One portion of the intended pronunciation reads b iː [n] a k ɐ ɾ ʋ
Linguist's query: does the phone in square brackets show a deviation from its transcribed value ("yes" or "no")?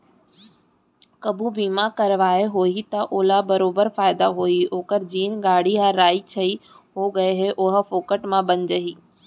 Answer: yes